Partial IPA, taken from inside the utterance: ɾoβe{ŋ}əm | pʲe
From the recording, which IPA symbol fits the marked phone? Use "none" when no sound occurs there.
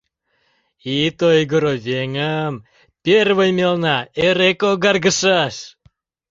ŋ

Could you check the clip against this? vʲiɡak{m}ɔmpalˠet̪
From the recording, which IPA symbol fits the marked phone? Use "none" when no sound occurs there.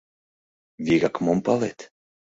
m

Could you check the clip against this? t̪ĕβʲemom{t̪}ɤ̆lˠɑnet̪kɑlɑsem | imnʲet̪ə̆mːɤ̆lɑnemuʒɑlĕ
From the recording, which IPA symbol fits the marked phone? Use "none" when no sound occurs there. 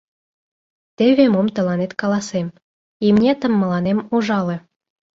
t̪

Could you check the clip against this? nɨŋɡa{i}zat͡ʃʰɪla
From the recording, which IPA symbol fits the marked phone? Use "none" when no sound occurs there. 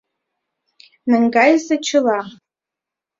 j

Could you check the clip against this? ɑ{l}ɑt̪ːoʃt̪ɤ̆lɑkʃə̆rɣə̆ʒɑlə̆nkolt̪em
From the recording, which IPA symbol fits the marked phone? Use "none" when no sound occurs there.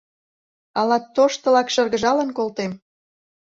l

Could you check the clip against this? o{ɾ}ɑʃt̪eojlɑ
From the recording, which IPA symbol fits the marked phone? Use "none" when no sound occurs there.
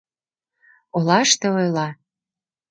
l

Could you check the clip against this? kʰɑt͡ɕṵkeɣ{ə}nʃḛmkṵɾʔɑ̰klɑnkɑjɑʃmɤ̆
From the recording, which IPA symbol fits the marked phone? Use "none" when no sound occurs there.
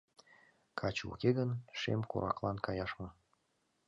ə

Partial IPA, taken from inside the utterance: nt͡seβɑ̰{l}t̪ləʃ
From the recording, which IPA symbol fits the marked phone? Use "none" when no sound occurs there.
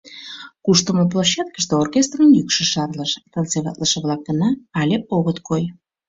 none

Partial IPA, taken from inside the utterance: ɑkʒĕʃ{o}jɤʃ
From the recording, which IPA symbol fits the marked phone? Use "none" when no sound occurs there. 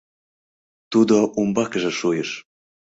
u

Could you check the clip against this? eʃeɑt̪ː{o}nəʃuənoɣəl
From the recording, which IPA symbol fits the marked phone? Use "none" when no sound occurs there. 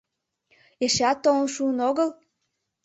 o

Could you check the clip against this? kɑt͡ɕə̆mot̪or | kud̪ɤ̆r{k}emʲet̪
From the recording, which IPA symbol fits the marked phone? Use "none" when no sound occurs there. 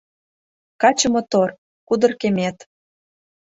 k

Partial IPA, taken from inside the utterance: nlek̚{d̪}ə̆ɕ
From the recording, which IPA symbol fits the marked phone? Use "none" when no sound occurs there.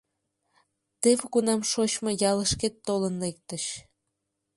t̪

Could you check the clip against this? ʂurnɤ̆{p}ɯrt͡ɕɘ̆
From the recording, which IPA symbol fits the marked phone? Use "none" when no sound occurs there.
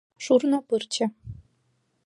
p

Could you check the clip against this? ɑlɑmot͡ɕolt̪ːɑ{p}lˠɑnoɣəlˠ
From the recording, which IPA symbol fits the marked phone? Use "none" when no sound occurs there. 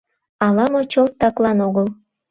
k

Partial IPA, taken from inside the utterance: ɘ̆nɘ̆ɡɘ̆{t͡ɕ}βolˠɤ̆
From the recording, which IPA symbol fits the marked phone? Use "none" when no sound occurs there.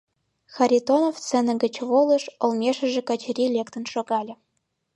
t͡ɕ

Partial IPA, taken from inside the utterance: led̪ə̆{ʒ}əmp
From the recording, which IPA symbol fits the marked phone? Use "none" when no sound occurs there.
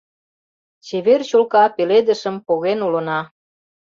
ʃ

